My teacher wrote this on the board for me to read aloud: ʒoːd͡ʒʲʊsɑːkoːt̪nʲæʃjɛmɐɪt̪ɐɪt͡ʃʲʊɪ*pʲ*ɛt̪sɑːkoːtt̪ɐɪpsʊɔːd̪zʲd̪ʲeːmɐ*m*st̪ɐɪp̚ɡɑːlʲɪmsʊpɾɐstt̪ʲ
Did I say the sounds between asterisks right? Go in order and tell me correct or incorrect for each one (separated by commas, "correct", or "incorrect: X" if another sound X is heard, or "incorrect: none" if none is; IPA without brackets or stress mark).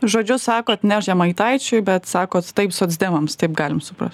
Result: incorrect: bʲ, correct